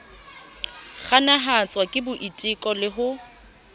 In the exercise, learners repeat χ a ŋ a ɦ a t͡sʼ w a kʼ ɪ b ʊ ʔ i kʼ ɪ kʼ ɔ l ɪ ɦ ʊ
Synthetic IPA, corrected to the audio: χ a n a ɦ a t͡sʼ w a kʼ ɪ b ʊ ʔ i tʼ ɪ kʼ ɔ l ɪ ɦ ʊ